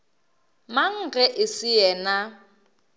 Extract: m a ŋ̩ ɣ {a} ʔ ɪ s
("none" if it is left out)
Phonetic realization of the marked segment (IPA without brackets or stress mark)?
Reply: ɛ